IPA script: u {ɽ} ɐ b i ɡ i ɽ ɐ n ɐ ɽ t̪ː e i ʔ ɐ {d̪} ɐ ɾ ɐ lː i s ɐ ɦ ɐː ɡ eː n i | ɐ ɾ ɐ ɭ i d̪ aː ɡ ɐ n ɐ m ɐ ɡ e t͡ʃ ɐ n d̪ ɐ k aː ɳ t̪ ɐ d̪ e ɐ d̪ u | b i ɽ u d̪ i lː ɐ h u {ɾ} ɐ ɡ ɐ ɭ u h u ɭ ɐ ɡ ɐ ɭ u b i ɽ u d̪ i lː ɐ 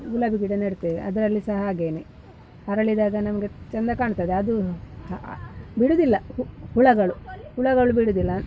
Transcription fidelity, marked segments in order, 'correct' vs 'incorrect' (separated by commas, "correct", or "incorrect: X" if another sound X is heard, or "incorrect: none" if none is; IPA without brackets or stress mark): incorrect: l, correct, incorrect: ɭ